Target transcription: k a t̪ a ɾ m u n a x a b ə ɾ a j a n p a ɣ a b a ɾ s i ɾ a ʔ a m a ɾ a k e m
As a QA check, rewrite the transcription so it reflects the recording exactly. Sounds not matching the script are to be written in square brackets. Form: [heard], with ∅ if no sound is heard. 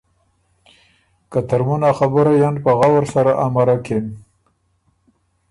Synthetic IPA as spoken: k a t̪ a ɾ m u n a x a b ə ɾ a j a n p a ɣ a [w] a ɾ s [a] ɾ a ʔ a m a ɾ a k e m